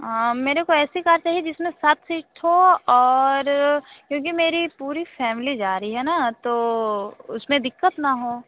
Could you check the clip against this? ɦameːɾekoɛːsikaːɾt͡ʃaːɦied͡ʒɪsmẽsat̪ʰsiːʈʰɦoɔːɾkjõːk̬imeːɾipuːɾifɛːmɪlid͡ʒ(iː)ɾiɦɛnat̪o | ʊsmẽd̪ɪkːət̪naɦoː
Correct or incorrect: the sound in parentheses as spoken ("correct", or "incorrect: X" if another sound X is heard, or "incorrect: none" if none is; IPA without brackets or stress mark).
incorrect: aː